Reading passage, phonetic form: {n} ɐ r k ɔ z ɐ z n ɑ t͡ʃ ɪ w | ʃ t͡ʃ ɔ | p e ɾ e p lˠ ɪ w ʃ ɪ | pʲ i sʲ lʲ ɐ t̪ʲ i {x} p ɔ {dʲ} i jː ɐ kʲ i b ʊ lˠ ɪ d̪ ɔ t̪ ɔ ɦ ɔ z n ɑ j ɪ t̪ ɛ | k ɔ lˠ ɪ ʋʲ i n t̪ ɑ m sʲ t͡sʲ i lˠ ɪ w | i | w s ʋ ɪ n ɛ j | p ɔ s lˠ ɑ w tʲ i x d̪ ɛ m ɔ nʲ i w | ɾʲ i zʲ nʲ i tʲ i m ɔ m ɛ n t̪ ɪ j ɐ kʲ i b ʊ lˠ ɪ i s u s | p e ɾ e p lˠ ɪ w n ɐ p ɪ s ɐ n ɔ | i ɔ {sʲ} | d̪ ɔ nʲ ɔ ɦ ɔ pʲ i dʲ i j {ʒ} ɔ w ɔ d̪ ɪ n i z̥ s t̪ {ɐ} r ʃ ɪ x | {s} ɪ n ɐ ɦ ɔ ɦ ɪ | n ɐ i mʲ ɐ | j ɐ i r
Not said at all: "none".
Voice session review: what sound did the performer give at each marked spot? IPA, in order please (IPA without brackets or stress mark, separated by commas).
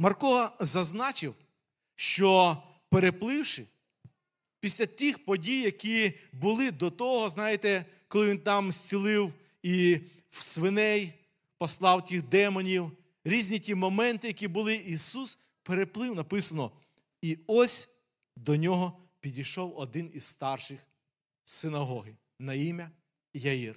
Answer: m, x, dʲ, sʲ, ʃ, ɑ, s